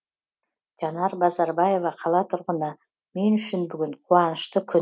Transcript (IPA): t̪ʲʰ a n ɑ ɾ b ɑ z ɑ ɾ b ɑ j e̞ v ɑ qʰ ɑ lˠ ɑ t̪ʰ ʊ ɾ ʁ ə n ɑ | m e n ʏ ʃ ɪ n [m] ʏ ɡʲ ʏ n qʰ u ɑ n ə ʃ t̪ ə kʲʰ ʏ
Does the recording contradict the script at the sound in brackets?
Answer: yes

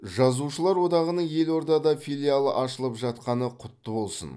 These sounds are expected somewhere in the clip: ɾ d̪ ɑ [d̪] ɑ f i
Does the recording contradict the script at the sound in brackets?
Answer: no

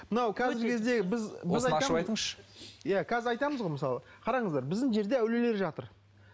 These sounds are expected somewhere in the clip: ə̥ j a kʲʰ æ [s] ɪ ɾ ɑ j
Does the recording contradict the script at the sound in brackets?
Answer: yes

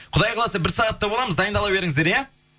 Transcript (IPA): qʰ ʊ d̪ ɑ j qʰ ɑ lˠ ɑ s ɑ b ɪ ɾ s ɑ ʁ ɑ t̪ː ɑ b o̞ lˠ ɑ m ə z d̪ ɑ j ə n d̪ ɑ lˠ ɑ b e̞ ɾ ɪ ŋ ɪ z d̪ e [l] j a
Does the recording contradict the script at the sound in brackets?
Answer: yes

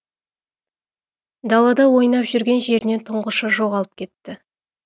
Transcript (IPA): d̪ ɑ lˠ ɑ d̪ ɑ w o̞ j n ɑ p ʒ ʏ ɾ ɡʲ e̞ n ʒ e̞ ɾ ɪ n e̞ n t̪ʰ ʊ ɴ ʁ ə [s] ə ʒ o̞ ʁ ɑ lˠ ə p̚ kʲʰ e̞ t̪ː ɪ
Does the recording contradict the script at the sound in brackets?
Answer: yes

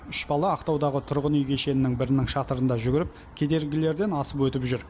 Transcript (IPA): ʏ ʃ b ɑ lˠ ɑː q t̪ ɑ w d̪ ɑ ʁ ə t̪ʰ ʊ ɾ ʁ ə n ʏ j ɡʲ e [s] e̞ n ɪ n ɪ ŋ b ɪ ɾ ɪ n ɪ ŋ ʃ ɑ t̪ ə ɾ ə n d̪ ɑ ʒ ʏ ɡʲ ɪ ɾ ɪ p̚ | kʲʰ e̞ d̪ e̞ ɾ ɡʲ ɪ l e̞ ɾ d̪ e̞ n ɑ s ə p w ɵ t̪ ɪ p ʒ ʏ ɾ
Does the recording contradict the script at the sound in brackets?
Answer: yes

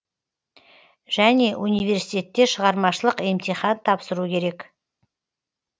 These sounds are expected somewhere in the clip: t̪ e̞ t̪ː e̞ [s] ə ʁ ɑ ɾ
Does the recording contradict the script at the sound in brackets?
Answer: yes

